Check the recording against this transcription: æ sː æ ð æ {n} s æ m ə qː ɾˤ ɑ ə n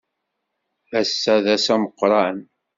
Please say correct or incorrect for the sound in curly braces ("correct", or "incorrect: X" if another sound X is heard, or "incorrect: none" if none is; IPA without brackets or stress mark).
incorrect: none